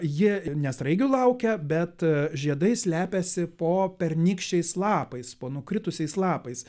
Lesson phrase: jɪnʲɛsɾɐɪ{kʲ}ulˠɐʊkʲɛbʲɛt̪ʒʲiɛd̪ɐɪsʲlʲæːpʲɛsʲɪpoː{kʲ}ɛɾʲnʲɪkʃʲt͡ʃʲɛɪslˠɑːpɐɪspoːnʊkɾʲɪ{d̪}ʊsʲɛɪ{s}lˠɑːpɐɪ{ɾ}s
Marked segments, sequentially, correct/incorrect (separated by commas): incorrect, incorrect, incorrect, correct, incorrect